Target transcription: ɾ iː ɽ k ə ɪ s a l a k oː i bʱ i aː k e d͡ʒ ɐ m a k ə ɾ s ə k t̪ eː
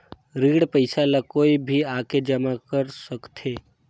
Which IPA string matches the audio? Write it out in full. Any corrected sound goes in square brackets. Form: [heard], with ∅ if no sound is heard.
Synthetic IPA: ɾ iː ɽ [p] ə ɪ s a l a k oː i bʱ i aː k e d͡ʒ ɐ m a k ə ɾ s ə k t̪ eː